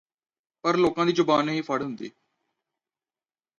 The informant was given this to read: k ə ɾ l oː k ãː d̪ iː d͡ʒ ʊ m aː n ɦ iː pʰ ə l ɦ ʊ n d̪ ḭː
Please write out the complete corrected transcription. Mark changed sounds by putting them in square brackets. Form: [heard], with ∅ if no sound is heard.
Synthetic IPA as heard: [p] ə ɾ l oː k ãː d̪ iː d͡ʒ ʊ [b] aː n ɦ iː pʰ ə [ɽ] ɦ ʊ n d̪ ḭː